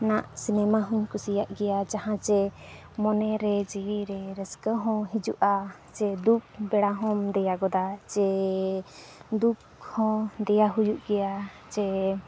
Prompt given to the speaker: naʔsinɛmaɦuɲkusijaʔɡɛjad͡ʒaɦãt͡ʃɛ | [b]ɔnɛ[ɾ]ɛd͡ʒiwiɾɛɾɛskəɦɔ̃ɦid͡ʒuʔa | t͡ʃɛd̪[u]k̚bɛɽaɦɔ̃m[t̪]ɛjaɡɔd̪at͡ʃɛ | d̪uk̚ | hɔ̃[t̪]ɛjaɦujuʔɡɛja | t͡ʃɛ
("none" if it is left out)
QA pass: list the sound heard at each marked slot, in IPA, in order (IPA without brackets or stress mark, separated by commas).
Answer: m, ɾ, u, d̪, d̪